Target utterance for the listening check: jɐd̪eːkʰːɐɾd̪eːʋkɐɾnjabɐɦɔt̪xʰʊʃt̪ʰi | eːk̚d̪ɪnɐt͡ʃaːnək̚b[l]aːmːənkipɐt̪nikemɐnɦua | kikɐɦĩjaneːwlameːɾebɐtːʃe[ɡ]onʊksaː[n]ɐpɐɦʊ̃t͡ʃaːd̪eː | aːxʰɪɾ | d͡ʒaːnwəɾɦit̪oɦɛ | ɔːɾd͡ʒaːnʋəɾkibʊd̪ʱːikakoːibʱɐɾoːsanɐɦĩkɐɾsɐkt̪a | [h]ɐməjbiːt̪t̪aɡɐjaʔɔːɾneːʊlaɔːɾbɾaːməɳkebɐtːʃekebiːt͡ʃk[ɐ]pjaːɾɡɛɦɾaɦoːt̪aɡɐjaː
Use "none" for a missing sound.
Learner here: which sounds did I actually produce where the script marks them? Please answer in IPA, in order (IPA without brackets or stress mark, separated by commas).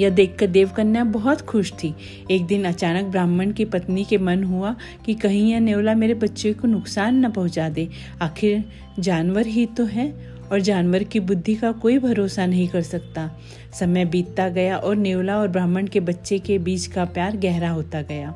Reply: ɾ, k, nː, s, a